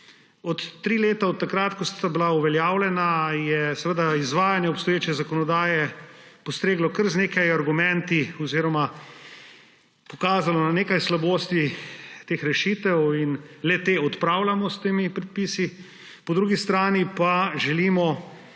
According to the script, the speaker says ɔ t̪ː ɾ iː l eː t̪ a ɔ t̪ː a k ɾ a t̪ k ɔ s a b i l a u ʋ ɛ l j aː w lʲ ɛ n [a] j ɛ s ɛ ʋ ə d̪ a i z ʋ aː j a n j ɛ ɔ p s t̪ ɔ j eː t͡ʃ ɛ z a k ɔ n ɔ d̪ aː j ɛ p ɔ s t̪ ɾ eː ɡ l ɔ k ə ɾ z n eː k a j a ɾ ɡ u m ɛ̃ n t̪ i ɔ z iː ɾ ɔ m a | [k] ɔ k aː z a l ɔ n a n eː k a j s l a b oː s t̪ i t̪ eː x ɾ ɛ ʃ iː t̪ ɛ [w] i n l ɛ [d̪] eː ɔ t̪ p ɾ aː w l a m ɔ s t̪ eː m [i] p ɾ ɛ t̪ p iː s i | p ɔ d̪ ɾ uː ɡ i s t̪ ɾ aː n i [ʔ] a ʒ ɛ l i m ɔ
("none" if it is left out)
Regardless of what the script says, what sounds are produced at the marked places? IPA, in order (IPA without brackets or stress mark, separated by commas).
a, p, w, t̪, i, p